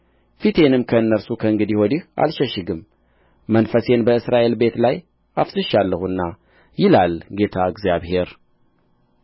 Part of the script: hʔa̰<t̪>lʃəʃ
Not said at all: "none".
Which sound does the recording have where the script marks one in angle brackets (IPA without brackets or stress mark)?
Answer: none